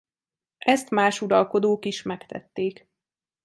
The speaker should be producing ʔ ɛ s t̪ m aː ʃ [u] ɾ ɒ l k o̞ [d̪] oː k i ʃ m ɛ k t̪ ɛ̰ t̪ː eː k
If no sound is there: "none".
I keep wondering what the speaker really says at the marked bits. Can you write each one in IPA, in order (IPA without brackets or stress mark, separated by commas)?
u, d̪